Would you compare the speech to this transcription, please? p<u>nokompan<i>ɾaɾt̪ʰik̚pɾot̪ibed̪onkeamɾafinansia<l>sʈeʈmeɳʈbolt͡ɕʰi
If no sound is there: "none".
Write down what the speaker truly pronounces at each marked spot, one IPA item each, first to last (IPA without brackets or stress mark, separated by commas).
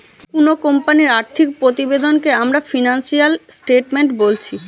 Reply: u, i, l